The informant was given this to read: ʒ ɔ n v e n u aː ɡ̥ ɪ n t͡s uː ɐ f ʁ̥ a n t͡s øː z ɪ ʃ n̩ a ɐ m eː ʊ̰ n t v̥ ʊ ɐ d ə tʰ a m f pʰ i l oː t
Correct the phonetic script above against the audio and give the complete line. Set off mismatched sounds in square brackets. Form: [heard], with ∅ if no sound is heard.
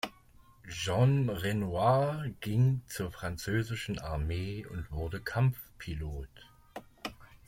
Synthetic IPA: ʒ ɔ n [ʁ] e n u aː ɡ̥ ɪ [ŋ] t͡s uː ɐ f ʁ̥ a n t͡s øː z ɪ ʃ n̩ a ɐ m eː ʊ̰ n t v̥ ʊ ɐ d ə [kʰ] a m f pʰ i l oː t